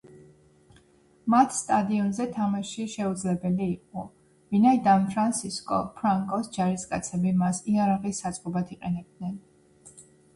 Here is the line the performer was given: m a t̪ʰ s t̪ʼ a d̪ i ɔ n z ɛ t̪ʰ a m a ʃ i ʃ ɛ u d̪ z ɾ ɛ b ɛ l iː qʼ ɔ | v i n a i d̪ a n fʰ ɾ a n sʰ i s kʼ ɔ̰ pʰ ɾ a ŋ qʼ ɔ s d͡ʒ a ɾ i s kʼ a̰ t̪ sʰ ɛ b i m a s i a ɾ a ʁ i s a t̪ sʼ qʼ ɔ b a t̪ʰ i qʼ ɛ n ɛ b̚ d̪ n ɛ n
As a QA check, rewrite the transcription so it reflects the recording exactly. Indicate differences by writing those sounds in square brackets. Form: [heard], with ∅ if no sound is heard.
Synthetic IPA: m a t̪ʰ s t̪ʼ a d̪ i ɔ n z ɛ t̪ʰ a m a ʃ i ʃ ɛ u d̪ z [l] ɛ b ɛ l iː qʼ ɔ | v i n a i d̪ a n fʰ ɾ a n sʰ i s kʼ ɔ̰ pʰ ɾ a ŋ [kʼ] ɔ s d͡ʒ a ɾ i s kʼ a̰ t̪ sʰ ɛ b i m a s i a ɾ a ʁ i s a t̪ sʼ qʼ ɔ b a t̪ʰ i qʼ ɛ n ɛ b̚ d̪ n ɛ n